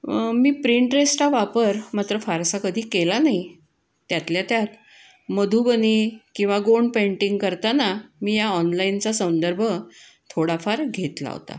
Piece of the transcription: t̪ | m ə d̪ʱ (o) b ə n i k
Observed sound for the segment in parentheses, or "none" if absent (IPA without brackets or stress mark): u